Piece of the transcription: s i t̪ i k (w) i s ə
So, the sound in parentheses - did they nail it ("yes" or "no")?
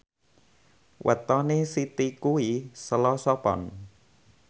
no